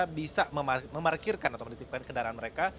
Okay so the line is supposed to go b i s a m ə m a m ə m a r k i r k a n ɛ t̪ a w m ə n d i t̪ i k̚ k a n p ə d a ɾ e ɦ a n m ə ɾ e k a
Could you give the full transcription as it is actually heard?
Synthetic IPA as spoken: b i s a m ə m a m ə m a r k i r k a n a t̪ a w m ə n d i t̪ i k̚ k a n k ə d a ɾ a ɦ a n m ə ɾ e k a